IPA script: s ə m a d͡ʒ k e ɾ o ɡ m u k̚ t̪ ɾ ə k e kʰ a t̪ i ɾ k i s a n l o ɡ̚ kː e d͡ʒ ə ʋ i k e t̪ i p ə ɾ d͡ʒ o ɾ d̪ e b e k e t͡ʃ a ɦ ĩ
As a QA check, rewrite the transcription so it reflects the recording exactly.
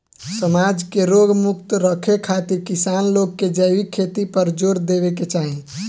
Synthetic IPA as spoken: s ə m a d͡ʒ k e ɾ o ɡ m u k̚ t̪ ɾ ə kʰ e kʰ a t̪ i ɾ k i s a n l o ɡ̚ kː e d͡ʒ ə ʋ i kʰ e t̪ i p ə ɾ d͡ʒ o ɾ d̪ e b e k e t͡ʃ a ɦ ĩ